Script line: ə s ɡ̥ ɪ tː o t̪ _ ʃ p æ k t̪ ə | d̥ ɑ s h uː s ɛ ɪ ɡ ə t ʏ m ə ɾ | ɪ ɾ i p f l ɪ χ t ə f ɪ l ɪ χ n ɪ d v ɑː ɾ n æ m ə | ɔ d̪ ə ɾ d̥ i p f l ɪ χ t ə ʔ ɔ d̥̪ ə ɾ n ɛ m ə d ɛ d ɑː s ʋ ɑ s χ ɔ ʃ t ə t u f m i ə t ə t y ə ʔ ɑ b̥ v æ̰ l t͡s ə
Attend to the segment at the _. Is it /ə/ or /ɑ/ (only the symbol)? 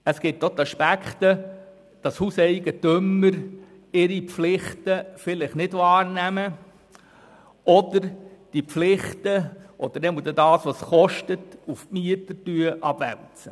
ɑ